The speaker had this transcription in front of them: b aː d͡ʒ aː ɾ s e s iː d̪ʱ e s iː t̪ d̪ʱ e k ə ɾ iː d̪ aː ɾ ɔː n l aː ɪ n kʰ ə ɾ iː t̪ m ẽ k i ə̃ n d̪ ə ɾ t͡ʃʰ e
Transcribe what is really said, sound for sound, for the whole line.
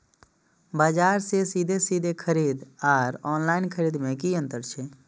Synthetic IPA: b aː d͡ʒ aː ɾ s e s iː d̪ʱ e s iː d̪ʱ e kʰ ə ɾ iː d̪ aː ɾ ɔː n l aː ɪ n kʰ ə ɾ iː d̪ m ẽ k i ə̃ n t̪ ə ɾ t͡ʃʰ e